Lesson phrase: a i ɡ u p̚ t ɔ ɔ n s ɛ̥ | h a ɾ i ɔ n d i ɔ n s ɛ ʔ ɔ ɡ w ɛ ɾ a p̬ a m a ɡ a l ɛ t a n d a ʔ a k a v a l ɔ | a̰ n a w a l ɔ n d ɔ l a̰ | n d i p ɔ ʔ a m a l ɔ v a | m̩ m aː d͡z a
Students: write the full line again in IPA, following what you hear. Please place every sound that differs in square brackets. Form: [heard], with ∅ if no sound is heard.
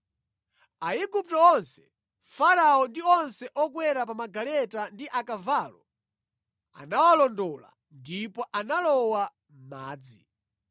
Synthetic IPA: a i ɡ u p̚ t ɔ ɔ n s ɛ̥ | [f] a ɾ [a] ɔ n d i ɔ n s ɛ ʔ ɔ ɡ w ɛ ɾ a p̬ a m a ɡ a l ɛ t a n d [i] ʔ a k a v a l ɔ | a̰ n a w a l ɔ n d ɔ l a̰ | n d i p ɔ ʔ a [n] a l ɔ [w] a | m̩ m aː d͡z [i]

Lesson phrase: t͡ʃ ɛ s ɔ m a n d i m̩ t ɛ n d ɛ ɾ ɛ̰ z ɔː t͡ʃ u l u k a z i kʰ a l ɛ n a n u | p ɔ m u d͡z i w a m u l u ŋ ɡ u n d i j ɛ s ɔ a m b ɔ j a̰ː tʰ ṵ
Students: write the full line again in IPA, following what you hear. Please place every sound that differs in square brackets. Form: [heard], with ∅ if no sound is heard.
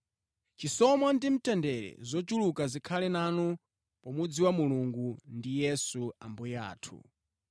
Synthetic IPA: t͡ʃ [i] s ɔ m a n d i m̩ t ɛ n d ɛ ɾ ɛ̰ z [ɔ] t͡ʃ u l u k a z i kʰ a l ɛ n a n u | p ɔ m u d͡z i w a m u l u ŋ ɡ u n d i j ɛ s [u] a m b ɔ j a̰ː tʰ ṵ

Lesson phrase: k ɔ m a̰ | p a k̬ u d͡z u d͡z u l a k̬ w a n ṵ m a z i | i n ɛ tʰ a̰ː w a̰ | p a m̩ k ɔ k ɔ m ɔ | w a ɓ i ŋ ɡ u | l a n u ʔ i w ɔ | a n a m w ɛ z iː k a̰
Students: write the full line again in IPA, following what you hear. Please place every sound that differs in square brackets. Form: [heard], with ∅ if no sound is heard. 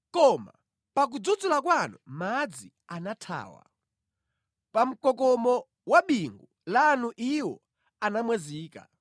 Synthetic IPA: k ɔ m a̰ | p a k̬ u d͡z u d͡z u l a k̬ w a n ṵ m a [d͡z] i | [a] n [a] tʰ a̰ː w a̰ | p a m̩ k ɔ k ɔ m ɔ | w a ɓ i ŋ ɡ u | l a n u ʔ i w ɔ | a n a m w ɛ z iː k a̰

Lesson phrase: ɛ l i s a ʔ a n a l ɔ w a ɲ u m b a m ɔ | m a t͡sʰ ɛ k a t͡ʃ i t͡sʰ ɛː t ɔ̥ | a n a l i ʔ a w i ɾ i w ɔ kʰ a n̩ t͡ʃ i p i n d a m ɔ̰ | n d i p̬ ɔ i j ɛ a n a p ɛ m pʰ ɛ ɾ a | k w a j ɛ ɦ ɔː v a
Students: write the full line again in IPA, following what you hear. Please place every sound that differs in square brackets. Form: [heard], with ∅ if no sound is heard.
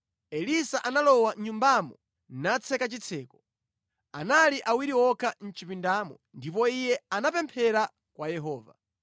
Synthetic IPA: ɛ l i s a ʔ a n a l ɔ w a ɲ u m b a m ɔ | [n] a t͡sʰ ɛ k a t͡ʃ i t͡sʰ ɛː [k] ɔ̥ | a n a l i ʔ a w i ɾ i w ɔ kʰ a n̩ t͡ʃ i p i n d a m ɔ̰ | n d i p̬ ɔ i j ɛ a n a p ɛ m pʰ ɛ ɾ a | k w a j ɛ ɦ ɔː v a

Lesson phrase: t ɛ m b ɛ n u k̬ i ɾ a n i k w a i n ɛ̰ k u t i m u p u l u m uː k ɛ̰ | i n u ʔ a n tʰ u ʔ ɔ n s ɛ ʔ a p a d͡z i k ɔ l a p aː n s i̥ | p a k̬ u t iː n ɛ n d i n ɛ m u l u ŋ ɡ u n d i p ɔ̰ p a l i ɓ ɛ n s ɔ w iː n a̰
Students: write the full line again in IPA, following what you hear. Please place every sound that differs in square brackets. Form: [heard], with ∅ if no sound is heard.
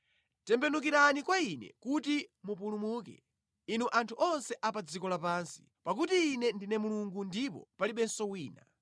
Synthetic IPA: t ɛ m b ɛ n u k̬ i ɾ a n i k w a i n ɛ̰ k u t i m u p u l u m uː k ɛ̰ | i n u ʔ a n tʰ u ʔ ɔ n s ɛ ʔ a p a d͡z i k ɔ l a p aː n s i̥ | p a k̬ u t iː n ɛ n d i n ɛ m u l u ŋ ɡ u n d i p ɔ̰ p a l i ɓ ɛ n s ɔ w iː n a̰

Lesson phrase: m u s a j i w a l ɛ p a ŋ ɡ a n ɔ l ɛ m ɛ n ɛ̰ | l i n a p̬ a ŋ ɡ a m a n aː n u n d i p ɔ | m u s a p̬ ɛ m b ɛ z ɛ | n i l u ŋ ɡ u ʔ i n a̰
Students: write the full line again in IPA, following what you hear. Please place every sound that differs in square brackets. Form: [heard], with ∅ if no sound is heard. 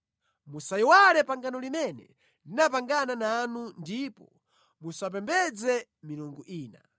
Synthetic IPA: m u s a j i w a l ɛ p a ŋ ɡ a n ɔ l [i] m ɛ n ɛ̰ | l i n a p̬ a ŋ ɡ a [n] a n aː n u n d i p ɔ | m u s a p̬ ɛ m b ɛ [d͡z] ɛ | [m] i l u ŋ ɡ u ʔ [iː] n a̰

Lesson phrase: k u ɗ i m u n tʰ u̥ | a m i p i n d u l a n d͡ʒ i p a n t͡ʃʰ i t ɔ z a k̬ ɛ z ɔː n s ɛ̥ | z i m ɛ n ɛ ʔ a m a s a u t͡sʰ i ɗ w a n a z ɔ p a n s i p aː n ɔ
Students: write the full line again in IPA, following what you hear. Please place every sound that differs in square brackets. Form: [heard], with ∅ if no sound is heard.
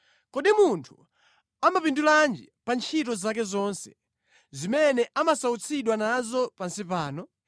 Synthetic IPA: k [ɔ] ɗ i m u n tʰ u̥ | a m [a] p i n d u l a n d͡ʒ i p a n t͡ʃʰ i t ɔ z a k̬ ɛ z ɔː n s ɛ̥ | z i m ɛ n ɛ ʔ a m a s a u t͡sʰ i ɗ w a n a z ɔ p a n s i p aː n ɔ

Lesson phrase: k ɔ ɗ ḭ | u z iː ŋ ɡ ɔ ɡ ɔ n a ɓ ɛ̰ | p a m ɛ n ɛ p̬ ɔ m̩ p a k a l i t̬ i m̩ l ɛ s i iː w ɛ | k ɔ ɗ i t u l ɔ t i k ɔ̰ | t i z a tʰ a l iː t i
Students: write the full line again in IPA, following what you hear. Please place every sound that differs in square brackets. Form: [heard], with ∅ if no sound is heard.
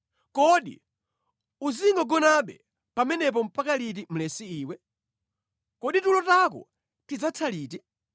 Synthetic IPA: k ɔ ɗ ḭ | u z [i] ŋ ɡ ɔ ɡ ɔ n a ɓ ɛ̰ | p a m ɛ n ɛ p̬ ɔ m̩ p a k a l i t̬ i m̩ l ɛ s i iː w ɛ | k ɔ ɗ i t u l ɔ t [a] k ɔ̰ | t i [d͡z] a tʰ a l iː t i

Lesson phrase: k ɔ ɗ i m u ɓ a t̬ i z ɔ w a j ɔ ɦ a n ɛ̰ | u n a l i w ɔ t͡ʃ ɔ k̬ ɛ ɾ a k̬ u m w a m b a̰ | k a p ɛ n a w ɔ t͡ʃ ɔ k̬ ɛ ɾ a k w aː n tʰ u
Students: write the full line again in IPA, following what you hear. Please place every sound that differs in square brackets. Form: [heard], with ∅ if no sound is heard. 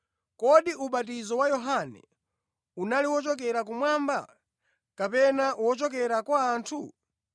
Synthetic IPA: k ɔ ɗ i [∅] u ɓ a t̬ i z ɔ w a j ɔ ɦ a n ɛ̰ | u n a l i w ɔ t͡ʃ ɔ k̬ ɛ ɾ a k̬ u m w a m b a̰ | k a p ɛ n a w ɔ t͡ʃ ɔ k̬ ɛ ɾ a k w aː n tʰ u

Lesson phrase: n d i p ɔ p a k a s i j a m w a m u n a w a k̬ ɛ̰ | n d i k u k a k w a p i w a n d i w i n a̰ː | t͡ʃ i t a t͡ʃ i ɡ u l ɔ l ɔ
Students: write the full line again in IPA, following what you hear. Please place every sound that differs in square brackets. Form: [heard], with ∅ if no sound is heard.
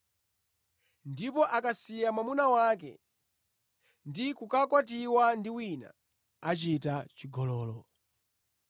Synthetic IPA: n d i p ɔ [ʔ] a k a s i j a m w a m u n a w a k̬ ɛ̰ | n d i k u k a k w a [t] i w a n d i w i n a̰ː | t͡ʃ i t a t͡ʃ i ɡ [ɔ] l [ɔː] l ɔ

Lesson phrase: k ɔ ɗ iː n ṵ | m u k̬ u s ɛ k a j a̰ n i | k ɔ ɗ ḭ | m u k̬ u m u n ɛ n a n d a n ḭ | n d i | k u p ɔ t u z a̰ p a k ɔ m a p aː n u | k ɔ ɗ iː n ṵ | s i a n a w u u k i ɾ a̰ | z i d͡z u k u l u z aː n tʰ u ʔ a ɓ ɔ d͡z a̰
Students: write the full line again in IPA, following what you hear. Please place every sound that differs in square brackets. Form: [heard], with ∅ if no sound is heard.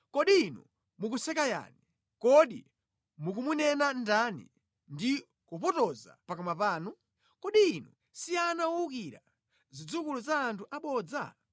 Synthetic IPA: k ɔ ɗ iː n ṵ | m u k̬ u s ɛ k a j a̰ n i | k ɔ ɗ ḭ | m u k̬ u m u n ɛ n a n d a n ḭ | n d i | k u p ɔ t [ɔ] z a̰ p a k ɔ m a p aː n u | k ɔ ɗ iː n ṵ | s i a n a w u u k i ɾ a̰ | z i d͡z u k u l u z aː n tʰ u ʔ a ɓ ɔ d͡z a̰

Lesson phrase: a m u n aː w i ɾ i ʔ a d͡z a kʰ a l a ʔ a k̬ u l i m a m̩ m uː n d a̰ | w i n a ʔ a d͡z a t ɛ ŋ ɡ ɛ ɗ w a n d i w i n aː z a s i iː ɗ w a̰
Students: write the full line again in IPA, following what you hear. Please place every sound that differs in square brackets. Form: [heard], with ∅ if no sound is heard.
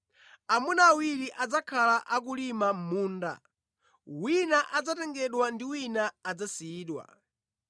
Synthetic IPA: a m u n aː w i ɾ i ʔ a d͡z a kʰ a l a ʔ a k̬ u l i m a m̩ m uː n d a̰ | w i n a ʔ a d͡z a t ɛ ŋ ɡ ɛ ɗ w a n d i w i n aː [d͡z] a s i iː ɗ w a̰

